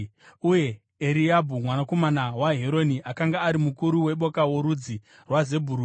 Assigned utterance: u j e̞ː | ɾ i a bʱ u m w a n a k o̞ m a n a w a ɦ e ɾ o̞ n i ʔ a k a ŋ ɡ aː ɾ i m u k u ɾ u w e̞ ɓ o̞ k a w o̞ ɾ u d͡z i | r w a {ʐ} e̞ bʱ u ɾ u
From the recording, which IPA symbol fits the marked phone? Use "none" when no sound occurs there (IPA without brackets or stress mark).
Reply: z